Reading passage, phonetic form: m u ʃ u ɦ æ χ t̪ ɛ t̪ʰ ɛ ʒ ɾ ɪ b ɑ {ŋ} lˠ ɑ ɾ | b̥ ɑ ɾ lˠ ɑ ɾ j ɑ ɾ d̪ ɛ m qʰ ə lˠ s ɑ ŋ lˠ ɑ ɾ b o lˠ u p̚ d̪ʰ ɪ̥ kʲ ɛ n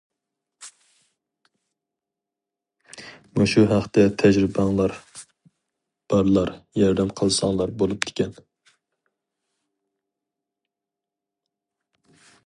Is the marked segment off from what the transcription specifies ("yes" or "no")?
no